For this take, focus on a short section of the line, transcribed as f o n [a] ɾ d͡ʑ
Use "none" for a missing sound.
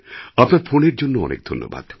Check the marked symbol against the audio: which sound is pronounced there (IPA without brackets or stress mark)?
e